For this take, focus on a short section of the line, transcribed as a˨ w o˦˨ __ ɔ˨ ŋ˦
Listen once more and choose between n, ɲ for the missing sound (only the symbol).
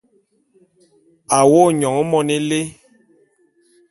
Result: ɲ